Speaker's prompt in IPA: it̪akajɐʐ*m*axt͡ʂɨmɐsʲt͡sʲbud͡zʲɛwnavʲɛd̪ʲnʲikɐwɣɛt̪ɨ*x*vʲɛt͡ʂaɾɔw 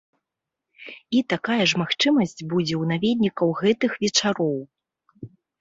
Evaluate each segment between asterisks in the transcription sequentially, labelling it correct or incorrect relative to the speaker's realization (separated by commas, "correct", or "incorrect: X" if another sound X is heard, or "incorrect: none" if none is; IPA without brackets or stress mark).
correct, correct